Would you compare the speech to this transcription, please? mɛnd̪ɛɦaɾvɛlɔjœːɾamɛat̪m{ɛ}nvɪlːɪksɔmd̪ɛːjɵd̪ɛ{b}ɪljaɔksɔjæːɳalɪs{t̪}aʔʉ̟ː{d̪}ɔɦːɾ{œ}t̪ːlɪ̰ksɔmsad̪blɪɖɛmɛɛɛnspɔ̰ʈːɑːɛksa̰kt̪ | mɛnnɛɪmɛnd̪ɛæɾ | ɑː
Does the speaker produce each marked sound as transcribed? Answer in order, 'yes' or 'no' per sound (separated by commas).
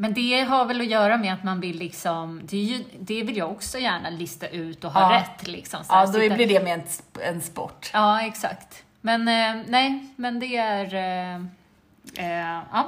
no, no, yes, no, no